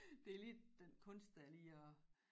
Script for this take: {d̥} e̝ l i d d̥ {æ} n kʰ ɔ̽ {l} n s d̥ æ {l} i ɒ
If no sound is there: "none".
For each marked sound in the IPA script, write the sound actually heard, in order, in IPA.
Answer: d̥, e, none, l

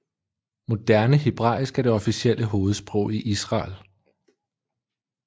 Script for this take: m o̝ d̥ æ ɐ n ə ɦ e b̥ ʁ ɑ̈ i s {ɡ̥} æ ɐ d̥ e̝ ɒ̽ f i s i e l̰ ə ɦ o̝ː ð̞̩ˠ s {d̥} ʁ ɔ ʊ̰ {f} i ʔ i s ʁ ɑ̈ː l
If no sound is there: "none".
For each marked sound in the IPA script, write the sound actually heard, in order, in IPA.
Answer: ɡ̥, b̥, none

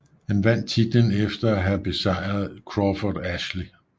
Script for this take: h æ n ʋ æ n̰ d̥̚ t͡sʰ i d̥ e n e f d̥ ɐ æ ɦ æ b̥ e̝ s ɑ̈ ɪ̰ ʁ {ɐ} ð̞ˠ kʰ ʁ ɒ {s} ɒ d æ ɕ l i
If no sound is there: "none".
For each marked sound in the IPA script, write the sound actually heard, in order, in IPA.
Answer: ɐ, f

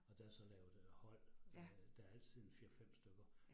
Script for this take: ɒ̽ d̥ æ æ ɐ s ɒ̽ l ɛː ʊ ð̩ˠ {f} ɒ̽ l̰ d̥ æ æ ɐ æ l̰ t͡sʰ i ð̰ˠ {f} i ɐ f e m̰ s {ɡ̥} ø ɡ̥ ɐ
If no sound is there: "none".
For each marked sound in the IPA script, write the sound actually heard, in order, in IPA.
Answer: h, f, d̥

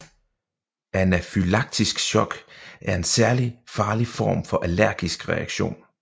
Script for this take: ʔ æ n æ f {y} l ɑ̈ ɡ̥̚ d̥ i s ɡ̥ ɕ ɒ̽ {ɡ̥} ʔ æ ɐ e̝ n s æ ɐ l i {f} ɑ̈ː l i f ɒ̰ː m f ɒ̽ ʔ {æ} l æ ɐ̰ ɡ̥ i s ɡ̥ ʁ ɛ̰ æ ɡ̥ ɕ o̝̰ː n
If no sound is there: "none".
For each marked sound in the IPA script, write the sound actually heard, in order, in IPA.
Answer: y, ɡ̥, f, æ

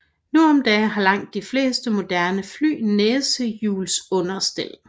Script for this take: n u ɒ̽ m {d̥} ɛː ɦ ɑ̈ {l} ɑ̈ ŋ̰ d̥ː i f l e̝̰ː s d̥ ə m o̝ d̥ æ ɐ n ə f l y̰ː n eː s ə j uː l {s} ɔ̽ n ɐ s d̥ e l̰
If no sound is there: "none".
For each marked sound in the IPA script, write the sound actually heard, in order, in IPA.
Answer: d̥, l, s

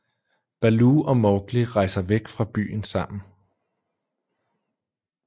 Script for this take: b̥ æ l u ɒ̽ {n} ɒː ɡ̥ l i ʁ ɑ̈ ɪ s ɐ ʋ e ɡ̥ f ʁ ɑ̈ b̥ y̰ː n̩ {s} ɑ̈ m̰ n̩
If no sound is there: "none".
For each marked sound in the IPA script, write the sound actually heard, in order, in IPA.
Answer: m, s

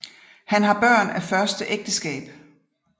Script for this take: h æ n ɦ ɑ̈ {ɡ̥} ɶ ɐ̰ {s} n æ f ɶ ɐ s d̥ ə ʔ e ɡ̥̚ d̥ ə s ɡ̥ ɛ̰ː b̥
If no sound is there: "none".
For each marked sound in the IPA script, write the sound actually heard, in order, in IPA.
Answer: b̥, none

